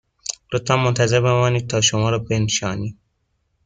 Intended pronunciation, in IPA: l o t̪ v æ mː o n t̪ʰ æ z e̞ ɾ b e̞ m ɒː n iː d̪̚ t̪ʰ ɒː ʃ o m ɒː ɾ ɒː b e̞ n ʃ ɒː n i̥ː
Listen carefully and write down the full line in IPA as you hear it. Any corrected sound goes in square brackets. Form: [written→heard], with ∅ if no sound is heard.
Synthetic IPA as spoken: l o t̪ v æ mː o n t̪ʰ æ z e̞ ɾ b e̞ m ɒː n iː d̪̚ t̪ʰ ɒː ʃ o m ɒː ɾ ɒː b e̞ n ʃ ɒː n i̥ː